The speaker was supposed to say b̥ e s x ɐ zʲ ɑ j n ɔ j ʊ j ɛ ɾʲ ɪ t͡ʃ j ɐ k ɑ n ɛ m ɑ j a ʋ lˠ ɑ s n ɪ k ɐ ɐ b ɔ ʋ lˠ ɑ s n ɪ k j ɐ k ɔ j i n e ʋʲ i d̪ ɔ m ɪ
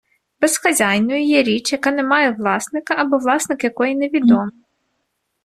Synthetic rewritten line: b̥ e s x ɐ zʲ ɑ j n ɔ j ʊ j ɛ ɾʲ i t͡ʃ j ɐ k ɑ n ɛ m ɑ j ɛ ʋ lˠ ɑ s n ɪ k ɐ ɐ b ɔ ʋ lˠ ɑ s n ɪ k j ɐ k ɔ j i n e ʋʲ i d̪ ɔ m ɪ